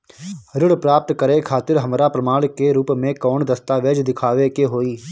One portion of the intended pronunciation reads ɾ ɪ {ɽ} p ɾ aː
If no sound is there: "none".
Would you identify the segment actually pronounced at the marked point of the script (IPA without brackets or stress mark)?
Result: ɽ